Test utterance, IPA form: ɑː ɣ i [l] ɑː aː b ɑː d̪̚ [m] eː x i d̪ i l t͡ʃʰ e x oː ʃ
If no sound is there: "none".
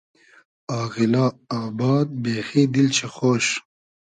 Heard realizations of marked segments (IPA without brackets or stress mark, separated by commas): l, b